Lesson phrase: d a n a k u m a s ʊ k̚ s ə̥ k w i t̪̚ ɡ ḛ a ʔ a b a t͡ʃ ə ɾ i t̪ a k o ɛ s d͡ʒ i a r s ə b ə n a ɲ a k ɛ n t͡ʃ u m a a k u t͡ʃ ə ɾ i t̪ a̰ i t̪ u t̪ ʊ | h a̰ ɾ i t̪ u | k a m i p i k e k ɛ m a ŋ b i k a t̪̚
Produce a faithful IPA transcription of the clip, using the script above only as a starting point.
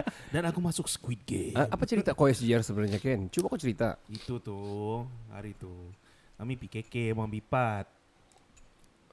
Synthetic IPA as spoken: d a n a k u m a s ʊ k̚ s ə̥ k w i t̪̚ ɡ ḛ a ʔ a p a t͡ʃ ə ɾ i t̪ a k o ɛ s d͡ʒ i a r s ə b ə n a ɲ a k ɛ n t͡ʃ u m a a k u t͡ʃ ə ɾ i t̪ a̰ i t̪ u t̪ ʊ | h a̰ ɾ i t̪ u | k a m i p i k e k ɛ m a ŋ b i p a t̪̚